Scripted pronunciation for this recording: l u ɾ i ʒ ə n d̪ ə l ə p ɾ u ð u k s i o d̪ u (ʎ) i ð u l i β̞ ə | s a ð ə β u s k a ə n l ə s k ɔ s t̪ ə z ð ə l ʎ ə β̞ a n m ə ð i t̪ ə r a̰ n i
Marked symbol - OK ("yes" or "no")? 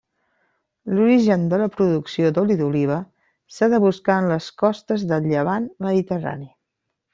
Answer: no